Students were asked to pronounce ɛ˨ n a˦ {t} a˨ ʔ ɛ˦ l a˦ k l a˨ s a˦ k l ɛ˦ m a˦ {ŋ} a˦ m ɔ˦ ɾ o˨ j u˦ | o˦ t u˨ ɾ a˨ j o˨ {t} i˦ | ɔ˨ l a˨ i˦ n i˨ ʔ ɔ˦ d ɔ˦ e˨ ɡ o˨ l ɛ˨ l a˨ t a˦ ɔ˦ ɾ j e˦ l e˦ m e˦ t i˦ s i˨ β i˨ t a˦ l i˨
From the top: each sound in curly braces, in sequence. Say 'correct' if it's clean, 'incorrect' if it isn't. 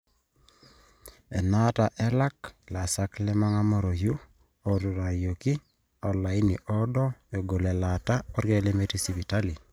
correct, correct, incorrect: k

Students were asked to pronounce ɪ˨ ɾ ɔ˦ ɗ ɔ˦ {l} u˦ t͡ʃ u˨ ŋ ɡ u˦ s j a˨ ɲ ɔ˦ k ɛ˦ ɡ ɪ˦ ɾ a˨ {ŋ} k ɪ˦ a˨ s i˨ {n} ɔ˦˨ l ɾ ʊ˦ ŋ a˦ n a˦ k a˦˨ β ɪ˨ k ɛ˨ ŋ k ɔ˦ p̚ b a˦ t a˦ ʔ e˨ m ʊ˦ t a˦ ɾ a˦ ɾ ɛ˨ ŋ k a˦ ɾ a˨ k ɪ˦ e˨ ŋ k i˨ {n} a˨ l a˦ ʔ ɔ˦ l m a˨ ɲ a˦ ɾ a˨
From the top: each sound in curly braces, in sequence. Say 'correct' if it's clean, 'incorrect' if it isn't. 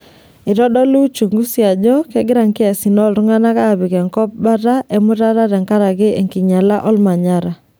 correct, correct, correct, incorrect: ɲ

